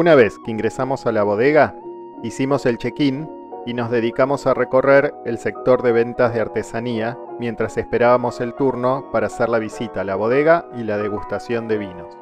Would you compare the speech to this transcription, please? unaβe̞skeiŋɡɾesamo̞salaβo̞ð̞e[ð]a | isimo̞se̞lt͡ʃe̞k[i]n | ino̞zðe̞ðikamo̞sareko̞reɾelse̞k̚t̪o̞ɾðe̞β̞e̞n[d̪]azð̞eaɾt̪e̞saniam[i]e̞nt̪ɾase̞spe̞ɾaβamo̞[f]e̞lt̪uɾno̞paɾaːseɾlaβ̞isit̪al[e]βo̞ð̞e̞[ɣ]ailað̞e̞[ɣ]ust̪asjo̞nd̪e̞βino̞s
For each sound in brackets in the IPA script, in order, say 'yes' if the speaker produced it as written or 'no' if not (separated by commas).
no, yes, no, no, no, no, yes, yes